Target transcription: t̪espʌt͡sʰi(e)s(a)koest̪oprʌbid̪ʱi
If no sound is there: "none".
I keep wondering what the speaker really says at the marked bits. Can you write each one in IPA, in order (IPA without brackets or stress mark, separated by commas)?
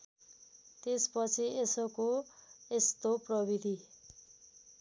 e, ʌ